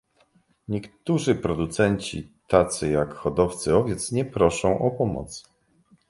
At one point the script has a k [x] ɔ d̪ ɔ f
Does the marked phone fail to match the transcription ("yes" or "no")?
no